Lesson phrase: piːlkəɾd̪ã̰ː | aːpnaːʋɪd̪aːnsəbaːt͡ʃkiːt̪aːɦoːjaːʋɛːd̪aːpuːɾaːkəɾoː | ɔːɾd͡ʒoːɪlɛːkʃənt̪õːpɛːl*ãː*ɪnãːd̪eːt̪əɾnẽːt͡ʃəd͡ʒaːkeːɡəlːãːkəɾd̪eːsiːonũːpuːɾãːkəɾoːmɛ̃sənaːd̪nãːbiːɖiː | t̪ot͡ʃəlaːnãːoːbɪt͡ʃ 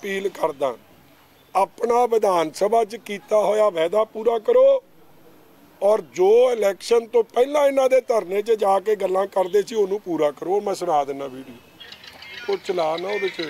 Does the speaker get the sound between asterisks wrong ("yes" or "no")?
no